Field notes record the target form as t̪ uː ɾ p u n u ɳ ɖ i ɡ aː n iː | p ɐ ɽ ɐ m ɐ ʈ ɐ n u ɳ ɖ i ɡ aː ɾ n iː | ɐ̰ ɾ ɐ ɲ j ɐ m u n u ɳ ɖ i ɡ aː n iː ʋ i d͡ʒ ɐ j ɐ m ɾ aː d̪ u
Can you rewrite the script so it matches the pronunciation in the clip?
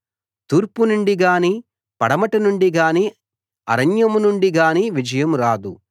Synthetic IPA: t̪ uː ɾ p u n u ɳ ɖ i ɡ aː n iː | p ɐ ɽ ɐ m ɐ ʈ ɐ n u ɳ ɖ i ɡ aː n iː | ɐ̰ ɾ ɐ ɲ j ɐ m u n u ɳ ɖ i ɡ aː n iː ʋ i d͡ʒ ɐ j ɐ m ɾ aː d̪ u